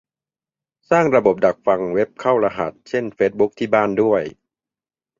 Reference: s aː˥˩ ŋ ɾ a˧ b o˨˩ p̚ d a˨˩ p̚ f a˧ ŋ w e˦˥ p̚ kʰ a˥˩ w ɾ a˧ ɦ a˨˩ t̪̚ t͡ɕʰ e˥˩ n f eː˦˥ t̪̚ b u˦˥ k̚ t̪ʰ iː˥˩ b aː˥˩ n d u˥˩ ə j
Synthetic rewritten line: s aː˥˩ ŋ ɾ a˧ b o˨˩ p̚ d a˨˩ k̚ f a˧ ŋ w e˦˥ p̚ kʰ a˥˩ w ɾ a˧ ɦ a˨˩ t̪̚ t͡ɕʰ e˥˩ n f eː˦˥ t̪̚ b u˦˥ k̚ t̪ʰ iː˥˩ b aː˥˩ n d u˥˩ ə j